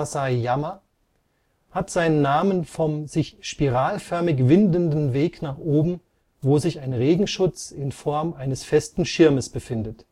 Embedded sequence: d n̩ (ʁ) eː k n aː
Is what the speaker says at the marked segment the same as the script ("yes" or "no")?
no